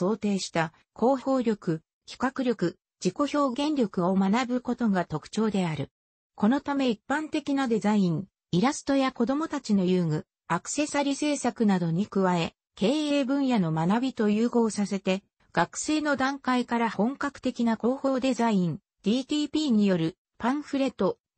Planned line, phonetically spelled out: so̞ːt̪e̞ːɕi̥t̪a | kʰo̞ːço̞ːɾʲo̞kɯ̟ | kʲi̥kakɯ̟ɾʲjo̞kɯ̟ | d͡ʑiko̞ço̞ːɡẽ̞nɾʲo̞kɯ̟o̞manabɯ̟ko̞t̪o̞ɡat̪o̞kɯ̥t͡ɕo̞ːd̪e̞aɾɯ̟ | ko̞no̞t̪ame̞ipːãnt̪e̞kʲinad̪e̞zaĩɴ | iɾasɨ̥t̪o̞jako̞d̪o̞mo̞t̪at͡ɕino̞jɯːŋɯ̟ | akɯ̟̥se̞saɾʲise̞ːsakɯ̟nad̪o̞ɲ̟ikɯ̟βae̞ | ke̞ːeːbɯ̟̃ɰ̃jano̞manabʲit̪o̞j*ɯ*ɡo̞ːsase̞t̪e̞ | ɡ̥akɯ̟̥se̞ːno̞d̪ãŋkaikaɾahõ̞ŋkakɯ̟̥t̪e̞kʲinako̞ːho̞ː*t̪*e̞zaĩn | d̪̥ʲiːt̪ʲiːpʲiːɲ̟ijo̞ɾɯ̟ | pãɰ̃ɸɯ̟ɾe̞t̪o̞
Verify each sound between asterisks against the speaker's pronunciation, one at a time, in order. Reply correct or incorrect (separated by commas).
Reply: incorrect, incorrect